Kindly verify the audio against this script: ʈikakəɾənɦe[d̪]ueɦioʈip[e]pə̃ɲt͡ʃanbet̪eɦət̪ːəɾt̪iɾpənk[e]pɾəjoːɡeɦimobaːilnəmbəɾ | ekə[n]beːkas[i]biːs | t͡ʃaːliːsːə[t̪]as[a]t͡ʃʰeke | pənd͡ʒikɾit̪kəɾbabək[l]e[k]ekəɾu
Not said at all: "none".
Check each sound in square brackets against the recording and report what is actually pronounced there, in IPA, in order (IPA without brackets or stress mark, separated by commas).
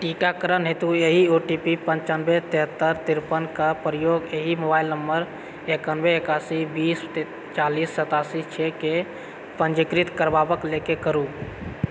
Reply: t̪, i, a, n, i, t̪, i, l, k